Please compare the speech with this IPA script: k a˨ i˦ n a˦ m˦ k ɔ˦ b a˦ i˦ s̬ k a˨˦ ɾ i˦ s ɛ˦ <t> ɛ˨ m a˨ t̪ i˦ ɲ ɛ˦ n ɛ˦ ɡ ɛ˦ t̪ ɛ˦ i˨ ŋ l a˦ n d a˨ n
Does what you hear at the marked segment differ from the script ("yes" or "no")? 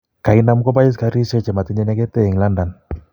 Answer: yes